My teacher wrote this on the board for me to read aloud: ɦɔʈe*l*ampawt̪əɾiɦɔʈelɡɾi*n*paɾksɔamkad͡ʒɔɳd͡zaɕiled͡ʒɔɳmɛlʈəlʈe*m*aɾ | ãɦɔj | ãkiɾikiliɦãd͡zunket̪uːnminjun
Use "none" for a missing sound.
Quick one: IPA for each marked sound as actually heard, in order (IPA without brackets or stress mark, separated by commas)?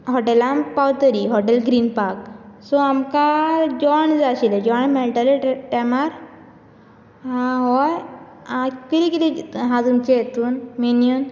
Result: l, n, m